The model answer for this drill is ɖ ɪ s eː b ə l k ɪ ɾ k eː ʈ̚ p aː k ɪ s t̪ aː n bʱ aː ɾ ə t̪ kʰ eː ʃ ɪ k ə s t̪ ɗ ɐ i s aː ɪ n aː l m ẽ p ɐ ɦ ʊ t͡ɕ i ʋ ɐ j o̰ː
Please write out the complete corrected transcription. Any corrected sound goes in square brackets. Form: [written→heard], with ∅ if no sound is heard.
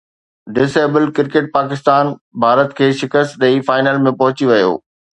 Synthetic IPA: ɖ ɪ s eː b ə l k ɪ ɾ k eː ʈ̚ p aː k ɪ s t̪ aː n bʱ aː ɾ ə t̪ kʰ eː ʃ ɪ k ə s t̪ ɗ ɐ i [s→f] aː ɪ n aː l m ẽ p ɐ ɦ ʊ t͡ɕ i ʋ ɐ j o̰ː